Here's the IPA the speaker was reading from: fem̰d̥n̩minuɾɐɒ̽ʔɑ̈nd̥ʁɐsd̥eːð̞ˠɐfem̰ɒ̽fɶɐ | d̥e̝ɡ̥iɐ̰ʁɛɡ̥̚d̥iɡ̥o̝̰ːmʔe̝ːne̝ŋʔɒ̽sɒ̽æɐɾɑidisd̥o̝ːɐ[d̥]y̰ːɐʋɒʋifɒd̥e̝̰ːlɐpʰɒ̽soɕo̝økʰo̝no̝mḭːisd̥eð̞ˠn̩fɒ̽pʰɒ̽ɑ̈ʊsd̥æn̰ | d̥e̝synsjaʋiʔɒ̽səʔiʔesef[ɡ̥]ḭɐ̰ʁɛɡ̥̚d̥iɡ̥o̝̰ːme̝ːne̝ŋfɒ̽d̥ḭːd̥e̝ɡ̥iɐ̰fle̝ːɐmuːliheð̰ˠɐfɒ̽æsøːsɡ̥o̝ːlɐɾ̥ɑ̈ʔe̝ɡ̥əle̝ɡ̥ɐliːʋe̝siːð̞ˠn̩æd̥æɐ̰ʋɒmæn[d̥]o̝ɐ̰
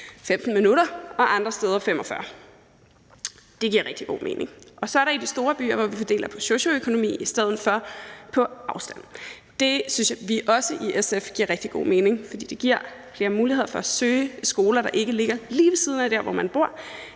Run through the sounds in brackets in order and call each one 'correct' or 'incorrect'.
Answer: incorrect, correct, incorrect

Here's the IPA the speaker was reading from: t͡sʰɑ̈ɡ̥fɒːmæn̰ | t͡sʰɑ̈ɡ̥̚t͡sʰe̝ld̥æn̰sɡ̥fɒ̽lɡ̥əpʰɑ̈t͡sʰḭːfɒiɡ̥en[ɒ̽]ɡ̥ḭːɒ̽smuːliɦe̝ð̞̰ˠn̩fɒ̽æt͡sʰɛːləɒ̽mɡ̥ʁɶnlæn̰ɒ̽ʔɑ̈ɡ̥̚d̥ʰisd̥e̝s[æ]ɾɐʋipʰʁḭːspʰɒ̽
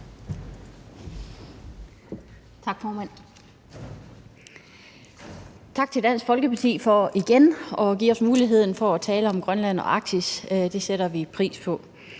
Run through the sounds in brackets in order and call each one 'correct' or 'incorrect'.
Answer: correct, incorrect

